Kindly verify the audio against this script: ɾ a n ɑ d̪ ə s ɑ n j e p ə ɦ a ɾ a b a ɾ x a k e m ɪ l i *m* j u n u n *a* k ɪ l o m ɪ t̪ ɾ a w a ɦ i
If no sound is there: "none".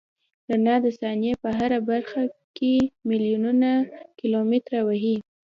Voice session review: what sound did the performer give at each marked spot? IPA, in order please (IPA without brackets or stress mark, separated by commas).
none, a